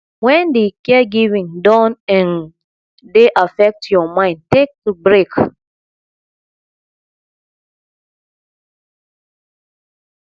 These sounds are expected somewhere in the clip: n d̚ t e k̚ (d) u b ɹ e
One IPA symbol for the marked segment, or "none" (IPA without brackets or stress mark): t